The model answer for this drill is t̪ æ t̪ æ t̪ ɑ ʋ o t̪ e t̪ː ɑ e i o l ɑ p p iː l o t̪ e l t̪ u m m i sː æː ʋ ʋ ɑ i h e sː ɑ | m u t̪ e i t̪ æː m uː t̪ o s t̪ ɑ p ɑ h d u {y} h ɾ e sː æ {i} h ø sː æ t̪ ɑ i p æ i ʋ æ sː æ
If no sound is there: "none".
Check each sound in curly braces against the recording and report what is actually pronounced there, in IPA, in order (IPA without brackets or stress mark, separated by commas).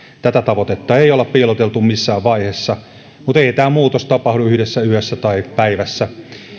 y, y